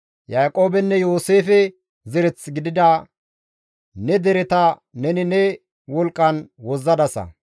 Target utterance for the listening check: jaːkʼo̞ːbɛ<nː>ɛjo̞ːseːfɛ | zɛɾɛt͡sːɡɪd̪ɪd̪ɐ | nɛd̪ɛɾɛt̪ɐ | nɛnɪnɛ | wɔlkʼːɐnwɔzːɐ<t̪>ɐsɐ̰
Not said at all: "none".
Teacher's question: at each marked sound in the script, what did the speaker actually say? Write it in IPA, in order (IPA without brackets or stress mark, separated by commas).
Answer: nː, d̪